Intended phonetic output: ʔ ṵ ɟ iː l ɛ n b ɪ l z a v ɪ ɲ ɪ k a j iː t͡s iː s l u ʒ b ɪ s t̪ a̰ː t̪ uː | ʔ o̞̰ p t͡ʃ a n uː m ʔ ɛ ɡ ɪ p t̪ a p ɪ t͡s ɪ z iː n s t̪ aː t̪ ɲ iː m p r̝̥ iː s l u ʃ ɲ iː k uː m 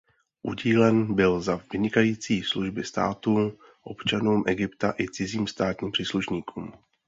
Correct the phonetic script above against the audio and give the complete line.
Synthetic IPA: ʔ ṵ ɟ iː l ɛ n b ɪ l z a v ɪ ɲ ɪ k a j iː t͡s iː s l u ʒ b ɪ s t̪ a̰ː t̪ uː | ʔ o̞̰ p t͡ʃ a n uː m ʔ ɛ ɡ ɪ p t̪ a ʔ ɪ t͡s ɪ z iː m s t̪ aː t̪ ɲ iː m p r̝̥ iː s l u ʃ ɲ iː k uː m